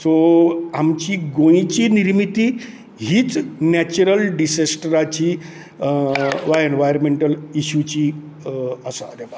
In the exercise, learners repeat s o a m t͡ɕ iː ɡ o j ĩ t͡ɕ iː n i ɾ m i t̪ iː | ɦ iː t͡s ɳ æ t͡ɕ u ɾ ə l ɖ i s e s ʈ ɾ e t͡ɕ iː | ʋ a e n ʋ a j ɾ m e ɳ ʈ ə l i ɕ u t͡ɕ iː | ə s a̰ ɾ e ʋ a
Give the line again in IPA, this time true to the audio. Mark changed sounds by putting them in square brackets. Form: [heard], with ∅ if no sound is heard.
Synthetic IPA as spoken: s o a m t͡ɕ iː ɡ o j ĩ t͡ɕ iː n i ɾ m i t̪ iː | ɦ iː t͡s [n] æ t͡ɕ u ɾ ə l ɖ i s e s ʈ ɾ [a] t͡ɕ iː | ʋ a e n ʋ a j ɾ m e ɳ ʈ ə l i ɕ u t͡ɕ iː | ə s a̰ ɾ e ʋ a

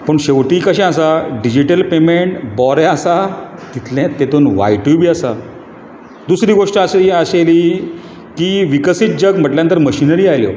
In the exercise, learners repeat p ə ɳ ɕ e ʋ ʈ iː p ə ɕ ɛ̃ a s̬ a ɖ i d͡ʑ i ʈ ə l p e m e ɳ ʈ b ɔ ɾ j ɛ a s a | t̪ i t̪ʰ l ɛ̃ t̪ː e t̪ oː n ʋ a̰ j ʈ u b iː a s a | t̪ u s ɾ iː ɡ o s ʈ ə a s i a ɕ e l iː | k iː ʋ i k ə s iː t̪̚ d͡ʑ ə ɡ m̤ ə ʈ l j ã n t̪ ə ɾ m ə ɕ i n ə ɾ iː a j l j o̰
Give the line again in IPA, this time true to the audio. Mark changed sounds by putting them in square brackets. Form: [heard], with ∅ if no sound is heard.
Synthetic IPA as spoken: p ə ɳ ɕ e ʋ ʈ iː [k] ə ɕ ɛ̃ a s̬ a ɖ i d͡ʑ i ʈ ə l p e m e ɳ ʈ b ɔ ɾ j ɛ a s a | t̪ i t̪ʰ l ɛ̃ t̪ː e t̪ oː n ʋ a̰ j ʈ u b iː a s a | [d̪] u s ɾ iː ɡ o [ʂ] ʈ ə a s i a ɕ e l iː | k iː ʋ i k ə s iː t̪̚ d͡ʑ ə ɡ m̤ ə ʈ l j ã n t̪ ə ɾ m ə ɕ i n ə ɾ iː a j l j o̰

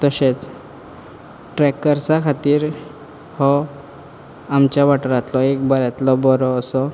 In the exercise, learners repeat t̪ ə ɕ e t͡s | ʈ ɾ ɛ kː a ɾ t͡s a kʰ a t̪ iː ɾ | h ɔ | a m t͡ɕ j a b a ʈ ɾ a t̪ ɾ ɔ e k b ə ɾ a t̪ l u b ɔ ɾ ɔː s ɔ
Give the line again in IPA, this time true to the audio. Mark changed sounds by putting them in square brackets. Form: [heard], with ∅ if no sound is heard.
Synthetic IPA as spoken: t̪ ə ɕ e t͡s | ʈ ɾ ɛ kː [ə] ɾ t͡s a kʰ a t̪ iː ɾ | h ɔ | a m t͡ɕ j a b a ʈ ɾ a t̪ [l] ɔ e k b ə ɾ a t̪ l [ɔ] b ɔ ɾ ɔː s ɔ

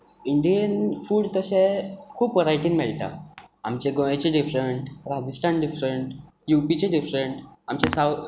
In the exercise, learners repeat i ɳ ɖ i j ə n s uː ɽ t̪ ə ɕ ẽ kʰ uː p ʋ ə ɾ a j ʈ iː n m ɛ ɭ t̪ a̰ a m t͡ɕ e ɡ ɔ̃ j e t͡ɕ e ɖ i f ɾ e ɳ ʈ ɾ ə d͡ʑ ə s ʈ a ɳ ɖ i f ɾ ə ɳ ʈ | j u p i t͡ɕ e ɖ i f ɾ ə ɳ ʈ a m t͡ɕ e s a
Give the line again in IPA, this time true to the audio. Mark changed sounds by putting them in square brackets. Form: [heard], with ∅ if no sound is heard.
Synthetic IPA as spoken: i ɳ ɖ i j ə n [f] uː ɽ t̪ ə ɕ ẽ kʰ uː p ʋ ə ɾ a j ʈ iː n m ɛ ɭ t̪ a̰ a m t͡ɕ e ɡ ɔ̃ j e t͡ɕ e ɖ i f ɾ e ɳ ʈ ɾ [a] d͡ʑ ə s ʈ a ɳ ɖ i f ɾ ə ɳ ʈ | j u p i t͡ɕ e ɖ i f ɾ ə ɳ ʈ a m t͡ɕ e s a

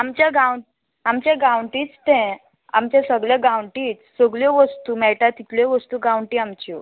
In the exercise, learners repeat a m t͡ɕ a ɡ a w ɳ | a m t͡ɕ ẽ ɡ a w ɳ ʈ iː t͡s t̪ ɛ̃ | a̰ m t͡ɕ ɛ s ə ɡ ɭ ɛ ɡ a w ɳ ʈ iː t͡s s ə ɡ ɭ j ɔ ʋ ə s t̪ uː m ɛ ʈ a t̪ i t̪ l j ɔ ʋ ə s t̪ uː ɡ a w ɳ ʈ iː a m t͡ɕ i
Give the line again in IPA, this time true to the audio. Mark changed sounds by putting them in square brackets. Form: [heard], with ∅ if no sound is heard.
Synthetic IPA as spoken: a m t͡ɕ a ɡ a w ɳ | a m t͡ɕ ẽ ɡ a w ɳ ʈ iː t͡s t̪ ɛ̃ | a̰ m t͡ɕ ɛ s ə ɡ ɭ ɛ ɡ a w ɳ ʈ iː t͡s s ə ɡ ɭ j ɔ ʋ ə s t̪ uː m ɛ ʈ a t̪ i t̪ l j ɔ ʋ ə s t̪ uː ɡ a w ɳ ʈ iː a m t͡ɕ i

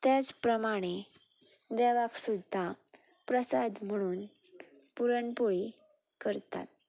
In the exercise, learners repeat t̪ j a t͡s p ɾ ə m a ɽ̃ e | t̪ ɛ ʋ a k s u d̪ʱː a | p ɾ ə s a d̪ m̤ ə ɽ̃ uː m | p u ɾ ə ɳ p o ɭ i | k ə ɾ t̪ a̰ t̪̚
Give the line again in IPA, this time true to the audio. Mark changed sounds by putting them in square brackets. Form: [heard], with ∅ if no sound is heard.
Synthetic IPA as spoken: t̪ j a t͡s p ɾ ə m a ɽ̃ e | [d̪] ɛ ʋ a k s u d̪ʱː a | p ɾ ə s a d̪ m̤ ə ɽ̃ uː [n] | p u ɾ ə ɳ p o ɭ i | k ə ɾ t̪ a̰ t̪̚

